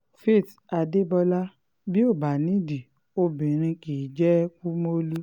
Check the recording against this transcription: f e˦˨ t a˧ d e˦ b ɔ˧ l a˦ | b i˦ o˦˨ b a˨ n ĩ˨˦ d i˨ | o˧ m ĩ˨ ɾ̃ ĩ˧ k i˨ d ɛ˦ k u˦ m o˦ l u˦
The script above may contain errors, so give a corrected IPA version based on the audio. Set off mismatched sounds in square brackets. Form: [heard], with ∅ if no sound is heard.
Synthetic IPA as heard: f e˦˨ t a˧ d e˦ b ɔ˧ l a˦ | b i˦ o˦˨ b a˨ n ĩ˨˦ d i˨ | o˧ [b] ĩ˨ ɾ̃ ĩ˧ k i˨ [d͡ʒ] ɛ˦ k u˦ m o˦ l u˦